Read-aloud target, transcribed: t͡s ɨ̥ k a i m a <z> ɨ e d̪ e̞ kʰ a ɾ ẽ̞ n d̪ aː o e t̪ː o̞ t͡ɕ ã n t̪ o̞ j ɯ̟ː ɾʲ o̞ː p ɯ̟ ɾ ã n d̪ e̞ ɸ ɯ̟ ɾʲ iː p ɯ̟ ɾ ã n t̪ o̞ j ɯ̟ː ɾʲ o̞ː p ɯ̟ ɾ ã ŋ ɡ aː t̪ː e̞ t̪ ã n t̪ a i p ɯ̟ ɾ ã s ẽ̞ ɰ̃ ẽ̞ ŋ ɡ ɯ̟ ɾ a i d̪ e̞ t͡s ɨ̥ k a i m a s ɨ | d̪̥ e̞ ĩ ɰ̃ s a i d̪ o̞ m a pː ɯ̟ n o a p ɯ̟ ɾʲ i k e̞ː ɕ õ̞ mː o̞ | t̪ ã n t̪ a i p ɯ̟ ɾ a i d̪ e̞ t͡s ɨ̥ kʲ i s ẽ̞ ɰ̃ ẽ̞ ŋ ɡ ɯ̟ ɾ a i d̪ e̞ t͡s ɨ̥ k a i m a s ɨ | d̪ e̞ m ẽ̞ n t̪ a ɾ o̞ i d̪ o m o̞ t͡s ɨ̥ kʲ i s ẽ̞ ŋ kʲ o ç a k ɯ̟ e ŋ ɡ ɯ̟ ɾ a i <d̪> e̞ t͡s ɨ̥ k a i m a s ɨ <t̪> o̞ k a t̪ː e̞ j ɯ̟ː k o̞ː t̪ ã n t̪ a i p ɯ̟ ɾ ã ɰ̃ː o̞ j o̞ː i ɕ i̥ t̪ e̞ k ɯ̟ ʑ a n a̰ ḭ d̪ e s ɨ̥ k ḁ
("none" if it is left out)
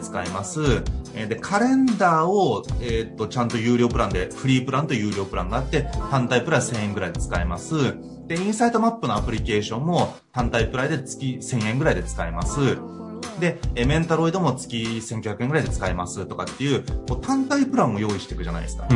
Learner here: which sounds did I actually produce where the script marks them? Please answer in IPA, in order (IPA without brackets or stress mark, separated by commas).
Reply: s, d̪, t̪